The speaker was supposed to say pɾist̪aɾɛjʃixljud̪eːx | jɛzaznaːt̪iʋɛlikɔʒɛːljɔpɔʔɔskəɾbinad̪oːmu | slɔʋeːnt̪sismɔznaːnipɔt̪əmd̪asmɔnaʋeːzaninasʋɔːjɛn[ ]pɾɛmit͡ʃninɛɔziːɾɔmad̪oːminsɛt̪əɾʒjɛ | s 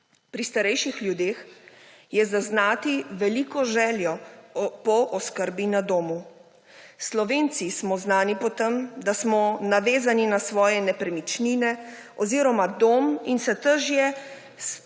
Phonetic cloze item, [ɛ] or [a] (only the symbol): ɛ